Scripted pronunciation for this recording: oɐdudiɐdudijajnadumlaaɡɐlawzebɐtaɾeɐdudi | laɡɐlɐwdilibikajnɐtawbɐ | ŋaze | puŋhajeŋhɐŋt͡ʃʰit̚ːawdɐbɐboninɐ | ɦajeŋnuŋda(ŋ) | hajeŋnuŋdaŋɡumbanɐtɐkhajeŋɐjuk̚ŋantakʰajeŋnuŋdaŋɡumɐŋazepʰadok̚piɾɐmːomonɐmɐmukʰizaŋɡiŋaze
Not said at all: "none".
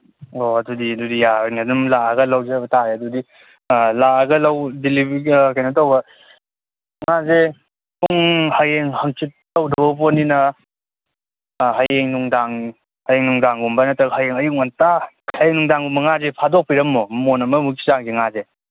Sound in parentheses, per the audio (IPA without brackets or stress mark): ŋ